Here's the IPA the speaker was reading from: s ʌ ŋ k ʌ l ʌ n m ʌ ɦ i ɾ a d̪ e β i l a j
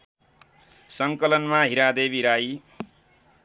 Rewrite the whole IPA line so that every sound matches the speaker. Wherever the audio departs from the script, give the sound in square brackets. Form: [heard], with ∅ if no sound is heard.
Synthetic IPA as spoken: s ʌ ŋ k ʌ l ʌ n m [a] ɦ i ɾ a d̪ e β i [ɾ] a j